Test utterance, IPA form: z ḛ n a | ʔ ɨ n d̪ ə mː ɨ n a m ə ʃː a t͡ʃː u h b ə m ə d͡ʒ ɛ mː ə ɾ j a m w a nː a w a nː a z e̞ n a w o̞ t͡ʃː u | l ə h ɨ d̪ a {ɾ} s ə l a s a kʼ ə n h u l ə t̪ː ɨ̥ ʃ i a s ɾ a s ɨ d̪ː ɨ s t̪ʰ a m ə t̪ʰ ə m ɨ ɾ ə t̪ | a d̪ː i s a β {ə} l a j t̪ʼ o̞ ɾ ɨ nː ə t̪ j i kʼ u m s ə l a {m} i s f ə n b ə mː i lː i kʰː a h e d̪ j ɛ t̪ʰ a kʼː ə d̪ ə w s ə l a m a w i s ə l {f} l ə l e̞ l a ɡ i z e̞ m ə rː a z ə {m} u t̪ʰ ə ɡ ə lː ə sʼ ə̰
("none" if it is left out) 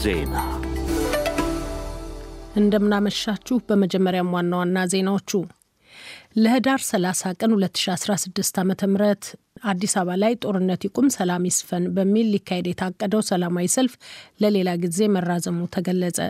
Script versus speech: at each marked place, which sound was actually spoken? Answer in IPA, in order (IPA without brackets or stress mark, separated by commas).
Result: ɾ, a, m, f, m